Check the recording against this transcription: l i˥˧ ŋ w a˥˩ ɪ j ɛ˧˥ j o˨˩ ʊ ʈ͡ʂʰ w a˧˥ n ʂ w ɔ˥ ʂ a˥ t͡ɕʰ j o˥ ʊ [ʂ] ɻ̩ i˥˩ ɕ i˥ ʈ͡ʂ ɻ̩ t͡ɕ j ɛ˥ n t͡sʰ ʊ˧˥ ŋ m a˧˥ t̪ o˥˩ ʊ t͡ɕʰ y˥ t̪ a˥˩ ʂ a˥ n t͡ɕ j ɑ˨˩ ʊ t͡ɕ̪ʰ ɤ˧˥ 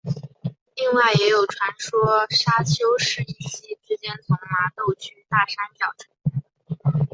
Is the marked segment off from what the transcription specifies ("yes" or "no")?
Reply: no